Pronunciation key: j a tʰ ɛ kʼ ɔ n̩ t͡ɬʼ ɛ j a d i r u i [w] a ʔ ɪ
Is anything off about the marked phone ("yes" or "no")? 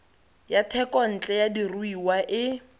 no